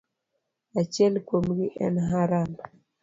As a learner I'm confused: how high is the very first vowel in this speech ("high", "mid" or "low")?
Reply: low